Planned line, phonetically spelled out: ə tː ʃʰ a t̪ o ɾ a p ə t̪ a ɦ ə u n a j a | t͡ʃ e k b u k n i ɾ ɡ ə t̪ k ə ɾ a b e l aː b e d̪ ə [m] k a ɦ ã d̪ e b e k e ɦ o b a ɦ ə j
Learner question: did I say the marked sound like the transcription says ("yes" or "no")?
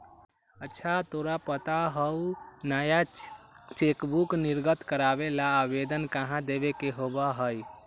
no